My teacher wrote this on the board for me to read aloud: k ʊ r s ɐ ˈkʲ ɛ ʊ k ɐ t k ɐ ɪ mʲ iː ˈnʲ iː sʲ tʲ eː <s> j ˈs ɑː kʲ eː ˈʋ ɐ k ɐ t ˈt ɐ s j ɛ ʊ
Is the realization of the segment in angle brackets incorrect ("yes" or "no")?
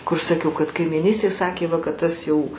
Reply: yes